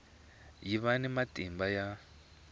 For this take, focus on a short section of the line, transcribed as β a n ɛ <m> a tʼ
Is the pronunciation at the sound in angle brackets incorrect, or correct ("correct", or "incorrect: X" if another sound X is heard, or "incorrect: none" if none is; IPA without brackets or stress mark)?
correct